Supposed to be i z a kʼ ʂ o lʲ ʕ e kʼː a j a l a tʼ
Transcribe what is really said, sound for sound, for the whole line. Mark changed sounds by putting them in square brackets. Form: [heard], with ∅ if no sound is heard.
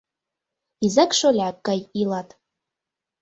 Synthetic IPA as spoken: i z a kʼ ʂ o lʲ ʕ [a] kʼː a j [i] l a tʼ